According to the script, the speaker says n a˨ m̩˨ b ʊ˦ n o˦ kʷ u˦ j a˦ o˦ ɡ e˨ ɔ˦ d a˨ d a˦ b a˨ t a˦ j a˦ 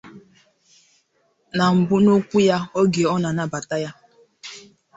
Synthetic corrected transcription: n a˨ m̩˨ b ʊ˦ n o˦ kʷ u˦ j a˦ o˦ ɡ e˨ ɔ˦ n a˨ n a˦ b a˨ t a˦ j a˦